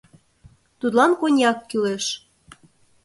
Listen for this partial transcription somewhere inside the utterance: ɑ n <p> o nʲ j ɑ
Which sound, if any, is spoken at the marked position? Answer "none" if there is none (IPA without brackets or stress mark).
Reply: k